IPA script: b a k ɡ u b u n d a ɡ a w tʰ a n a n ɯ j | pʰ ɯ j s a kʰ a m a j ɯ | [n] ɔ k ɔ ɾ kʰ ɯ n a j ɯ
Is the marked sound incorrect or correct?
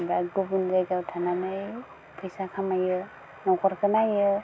correct